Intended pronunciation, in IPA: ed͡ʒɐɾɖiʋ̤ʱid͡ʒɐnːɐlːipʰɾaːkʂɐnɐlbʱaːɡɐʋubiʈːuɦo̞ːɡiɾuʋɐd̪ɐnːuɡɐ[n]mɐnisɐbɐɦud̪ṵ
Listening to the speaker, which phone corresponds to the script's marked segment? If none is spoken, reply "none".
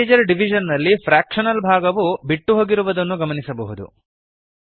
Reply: none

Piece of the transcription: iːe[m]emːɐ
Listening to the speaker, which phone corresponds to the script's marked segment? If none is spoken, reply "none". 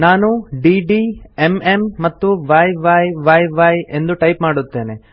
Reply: m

